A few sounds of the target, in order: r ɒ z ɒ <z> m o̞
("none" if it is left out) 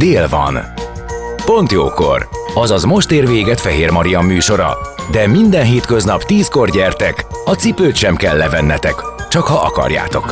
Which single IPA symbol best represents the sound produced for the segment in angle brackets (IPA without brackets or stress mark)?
z